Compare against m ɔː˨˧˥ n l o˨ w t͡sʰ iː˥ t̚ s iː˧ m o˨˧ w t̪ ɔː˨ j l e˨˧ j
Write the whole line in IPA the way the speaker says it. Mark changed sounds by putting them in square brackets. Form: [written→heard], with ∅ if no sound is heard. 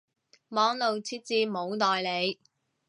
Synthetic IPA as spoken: m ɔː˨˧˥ [n→ŋ] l o˨ w t͡sʰ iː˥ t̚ [s→t͡s] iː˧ m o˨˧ w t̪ ɔː˨ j l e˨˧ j